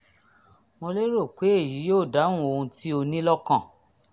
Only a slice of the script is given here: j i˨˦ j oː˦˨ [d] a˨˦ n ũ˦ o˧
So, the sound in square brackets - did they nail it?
yes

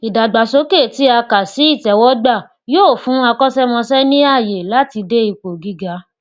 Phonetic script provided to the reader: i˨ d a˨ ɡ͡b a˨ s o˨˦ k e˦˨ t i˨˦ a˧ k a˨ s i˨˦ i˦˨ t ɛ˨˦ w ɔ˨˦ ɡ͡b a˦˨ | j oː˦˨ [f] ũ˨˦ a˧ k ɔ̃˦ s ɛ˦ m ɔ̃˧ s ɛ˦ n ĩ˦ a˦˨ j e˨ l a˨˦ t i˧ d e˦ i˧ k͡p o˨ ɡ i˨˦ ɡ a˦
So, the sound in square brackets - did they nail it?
yes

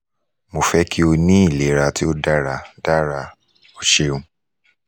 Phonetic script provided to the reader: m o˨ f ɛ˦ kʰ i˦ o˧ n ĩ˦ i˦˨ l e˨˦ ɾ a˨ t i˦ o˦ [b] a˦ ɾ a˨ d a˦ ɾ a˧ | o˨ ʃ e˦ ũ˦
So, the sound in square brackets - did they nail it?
no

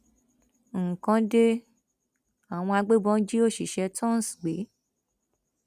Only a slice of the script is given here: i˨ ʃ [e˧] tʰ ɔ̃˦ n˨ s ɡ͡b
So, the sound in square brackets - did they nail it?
no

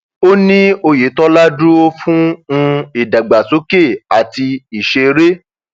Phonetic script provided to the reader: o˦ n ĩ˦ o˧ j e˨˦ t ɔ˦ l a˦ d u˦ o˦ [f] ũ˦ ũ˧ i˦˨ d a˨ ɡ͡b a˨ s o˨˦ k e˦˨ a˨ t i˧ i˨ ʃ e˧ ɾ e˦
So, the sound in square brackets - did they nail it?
yes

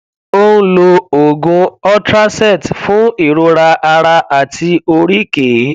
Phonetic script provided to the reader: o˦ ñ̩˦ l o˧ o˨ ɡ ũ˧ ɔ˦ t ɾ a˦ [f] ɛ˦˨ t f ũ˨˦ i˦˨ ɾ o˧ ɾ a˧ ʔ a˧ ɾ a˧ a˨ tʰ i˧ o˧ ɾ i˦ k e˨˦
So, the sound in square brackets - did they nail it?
no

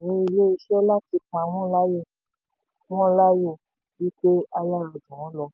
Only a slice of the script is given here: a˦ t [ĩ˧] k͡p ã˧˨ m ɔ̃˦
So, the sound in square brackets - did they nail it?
no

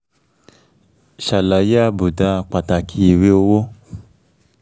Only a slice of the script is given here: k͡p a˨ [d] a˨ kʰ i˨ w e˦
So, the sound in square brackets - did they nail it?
no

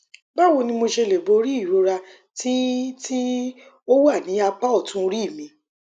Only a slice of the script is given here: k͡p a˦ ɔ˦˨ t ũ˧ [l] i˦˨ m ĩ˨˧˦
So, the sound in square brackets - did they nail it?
no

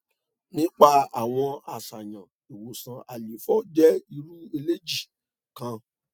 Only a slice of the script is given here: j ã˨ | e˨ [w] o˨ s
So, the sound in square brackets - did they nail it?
yes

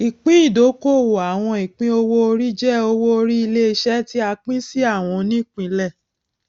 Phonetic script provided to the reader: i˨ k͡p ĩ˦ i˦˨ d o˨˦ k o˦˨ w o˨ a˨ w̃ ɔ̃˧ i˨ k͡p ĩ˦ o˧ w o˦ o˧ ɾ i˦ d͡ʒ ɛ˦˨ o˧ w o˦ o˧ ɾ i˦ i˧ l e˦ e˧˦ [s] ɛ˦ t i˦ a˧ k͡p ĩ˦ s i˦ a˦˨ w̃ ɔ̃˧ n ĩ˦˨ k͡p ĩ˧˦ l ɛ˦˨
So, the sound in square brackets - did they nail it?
no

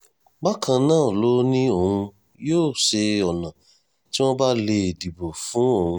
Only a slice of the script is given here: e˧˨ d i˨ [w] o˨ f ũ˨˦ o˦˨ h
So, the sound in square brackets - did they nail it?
no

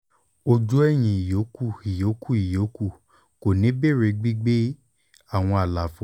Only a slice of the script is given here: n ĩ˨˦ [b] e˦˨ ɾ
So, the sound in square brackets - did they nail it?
yes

